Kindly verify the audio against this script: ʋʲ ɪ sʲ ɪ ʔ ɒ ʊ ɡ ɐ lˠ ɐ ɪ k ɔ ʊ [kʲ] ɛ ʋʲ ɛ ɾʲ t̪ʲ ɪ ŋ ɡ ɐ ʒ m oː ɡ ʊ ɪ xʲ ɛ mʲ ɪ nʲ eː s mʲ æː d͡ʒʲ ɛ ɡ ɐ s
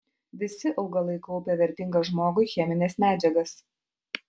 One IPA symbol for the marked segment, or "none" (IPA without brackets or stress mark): pʲ